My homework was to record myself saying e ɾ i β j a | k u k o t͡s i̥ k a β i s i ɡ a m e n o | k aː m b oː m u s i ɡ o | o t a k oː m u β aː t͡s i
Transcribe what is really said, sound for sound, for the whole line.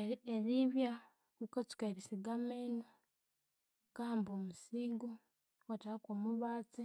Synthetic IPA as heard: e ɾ i β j a | k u k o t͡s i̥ k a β i s i ɡ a m e n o | k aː m b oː m u s i ɡ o | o t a k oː m u β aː t͡s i